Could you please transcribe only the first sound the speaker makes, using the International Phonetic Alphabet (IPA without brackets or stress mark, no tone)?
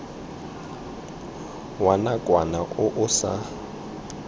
w